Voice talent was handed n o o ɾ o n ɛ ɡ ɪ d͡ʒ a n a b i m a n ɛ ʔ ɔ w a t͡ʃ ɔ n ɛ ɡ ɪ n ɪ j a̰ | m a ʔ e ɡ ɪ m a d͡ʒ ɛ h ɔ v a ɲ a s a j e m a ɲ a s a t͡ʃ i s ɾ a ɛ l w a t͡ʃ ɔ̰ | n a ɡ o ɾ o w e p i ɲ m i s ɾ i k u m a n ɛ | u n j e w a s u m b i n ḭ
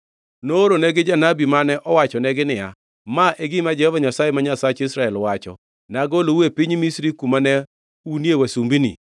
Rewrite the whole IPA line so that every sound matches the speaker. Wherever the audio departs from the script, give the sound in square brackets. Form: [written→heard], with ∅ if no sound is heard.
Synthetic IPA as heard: n o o ɾ o n ɛ ɡ ɪ d͡ʒ a n a b i m a n ɛ ʔ ɔ w a t͡ʃ ɔ n ɛ ɡ ɪ n ɪ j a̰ | m a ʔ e ɡ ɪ m a d͡ʒ ɛ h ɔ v a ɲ a s a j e m a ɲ a s a t͡ʃ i s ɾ a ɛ l w a t͡ʃ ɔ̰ | n a ɡ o [ɾ→l] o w e p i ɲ m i s ɾ i k u m a n ɛ | u n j e w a s u m b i n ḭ